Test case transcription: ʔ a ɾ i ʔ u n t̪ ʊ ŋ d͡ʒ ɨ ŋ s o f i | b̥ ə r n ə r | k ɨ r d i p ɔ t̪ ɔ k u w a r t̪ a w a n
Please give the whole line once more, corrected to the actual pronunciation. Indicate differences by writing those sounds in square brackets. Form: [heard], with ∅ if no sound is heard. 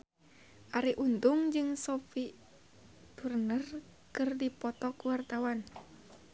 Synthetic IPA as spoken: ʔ a ɾ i ʔ u n t̪ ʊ ŋ d͡ʒ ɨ ŋ s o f i | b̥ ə r n ə r | k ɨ r d i p ɔ t̪ ɔ k u w a r t̪ a w a n